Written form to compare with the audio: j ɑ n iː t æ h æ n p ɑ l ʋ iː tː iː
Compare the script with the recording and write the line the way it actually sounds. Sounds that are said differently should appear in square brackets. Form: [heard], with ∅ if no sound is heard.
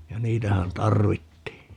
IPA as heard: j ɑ n iː t æ h æ n [t] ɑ [r] ʋ [i] tː iː